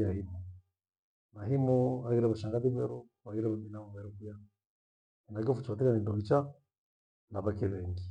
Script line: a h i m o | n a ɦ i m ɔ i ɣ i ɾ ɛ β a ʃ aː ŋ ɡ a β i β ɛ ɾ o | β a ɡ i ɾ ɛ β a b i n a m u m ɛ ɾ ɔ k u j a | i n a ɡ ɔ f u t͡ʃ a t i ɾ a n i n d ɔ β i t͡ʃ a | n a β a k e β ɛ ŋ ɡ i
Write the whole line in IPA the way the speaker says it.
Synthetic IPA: a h i m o | n a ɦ i m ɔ a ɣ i ɾ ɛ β a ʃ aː ŋ ɡ a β i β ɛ ɾ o | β a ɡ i ɾ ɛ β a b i n a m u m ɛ ɾ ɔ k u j a | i n a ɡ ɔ f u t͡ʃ a t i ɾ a n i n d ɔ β i t͡ʃ a | n a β a k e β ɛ ŋ ɡ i